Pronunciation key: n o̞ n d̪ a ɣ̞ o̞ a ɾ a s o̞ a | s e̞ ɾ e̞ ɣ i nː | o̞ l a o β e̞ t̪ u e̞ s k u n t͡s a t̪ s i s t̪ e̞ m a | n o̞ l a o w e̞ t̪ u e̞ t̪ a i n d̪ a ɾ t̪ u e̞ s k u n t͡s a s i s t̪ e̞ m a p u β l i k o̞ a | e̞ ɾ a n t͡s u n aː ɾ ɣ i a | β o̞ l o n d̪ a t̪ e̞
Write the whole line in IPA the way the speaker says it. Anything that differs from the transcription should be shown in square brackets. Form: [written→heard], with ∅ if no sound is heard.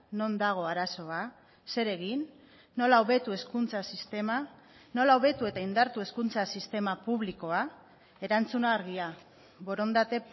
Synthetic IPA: n o̞ n d̪ a ɣ̞ o̞ a ɾ a s o̞ a | s e̞ ɾ e̞ ɣ i nː | o̞ l a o β e̞ t̪ u e̞ s k u n t͡s a [t̪→∅] s i s t̪ e̞ m a | n o̞ l a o [w→β] e̞ t̪ u e̞ t̪ a i n d̪ a ɾ t̪ u e̞ s k u n t͡s a s i s t̪ e̞ m a p u β l i k o̞ a | e̞ ɾ a n t͡s u n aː ɾ ɣ i a | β o̞ [l→ɾ] o n d̪ a t̪ e̞